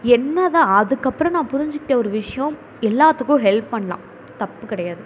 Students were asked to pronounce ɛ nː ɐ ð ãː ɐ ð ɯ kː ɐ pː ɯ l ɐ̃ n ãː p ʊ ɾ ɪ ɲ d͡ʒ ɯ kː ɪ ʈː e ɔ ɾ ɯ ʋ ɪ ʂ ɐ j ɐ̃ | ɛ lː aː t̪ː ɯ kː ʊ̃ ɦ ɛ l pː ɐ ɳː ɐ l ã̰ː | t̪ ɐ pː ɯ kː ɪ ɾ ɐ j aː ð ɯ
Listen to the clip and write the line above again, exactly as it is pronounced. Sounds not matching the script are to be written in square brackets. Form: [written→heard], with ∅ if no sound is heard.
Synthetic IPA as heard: ɛ nː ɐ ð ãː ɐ ð ɯ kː ɐ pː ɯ [l→ɾ] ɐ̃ n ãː p ʊ ɾ ɪ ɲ d͡ʒ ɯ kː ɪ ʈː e ɔ ɾ ɯ ʋ ɪ ʂ ɐ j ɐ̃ | ɛ lː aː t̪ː ɯ kː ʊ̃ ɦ ɛ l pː ɐ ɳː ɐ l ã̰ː | t̪ ɐ pː ɯ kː ɪ [ɾ→ɽ] ɐ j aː ð ɯ